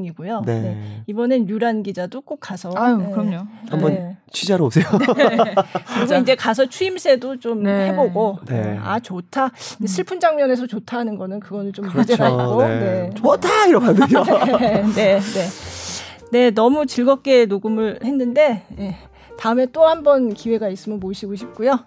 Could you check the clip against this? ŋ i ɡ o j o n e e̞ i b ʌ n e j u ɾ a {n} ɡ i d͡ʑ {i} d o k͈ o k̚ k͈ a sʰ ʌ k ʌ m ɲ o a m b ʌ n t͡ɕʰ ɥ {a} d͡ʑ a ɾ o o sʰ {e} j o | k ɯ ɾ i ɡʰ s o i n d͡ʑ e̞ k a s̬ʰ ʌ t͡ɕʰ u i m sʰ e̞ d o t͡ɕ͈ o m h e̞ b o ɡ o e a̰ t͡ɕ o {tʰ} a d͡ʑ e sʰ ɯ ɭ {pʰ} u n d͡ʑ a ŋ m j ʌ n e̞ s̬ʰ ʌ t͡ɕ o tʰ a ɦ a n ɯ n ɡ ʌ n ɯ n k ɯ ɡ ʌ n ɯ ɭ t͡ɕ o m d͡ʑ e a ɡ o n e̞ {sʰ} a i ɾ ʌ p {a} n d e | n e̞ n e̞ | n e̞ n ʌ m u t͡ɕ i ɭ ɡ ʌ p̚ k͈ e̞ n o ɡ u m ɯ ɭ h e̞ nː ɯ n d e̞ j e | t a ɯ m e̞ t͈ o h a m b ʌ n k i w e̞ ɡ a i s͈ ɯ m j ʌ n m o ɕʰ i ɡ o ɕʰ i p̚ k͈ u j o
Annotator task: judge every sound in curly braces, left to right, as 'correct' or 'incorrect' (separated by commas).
correct, incorrect, incorrect, correct, correct, correct, incorrect, correct